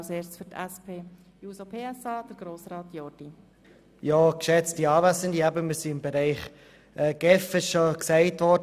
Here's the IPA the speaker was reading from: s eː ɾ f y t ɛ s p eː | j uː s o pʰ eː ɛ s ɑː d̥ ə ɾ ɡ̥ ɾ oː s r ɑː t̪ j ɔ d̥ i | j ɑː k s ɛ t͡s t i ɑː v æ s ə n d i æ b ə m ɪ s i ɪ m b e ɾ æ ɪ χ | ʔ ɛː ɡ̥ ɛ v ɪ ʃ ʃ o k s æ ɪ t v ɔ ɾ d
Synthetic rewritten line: s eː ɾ f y t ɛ s p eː | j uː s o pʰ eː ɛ s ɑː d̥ ə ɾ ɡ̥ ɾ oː s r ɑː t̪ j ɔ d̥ i | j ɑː k ʃ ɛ t͡s t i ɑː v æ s ə n d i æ b ə m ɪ s i ɪ m b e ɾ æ ɪ χ | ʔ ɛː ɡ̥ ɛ f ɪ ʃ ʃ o k s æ ɪ t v ɔ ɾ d